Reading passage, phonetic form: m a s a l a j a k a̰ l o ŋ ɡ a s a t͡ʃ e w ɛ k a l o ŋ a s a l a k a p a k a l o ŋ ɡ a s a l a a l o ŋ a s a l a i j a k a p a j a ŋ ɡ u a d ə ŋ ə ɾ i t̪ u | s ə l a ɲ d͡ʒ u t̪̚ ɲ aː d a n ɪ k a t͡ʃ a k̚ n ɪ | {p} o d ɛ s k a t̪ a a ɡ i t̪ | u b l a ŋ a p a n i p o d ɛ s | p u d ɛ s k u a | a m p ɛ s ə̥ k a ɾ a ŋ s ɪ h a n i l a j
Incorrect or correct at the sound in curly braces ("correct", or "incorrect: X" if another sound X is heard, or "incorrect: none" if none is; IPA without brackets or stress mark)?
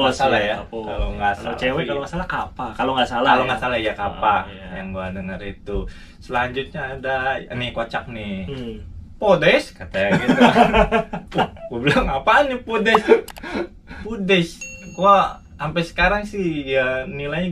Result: correct